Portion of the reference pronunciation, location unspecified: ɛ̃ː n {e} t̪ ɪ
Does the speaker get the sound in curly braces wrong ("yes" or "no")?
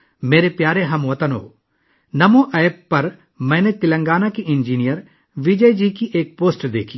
no